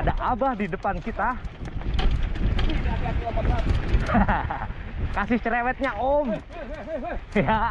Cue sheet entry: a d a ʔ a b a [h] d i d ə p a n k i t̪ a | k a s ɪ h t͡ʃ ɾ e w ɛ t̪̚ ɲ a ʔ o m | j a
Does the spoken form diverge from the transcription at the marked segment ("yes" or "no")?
no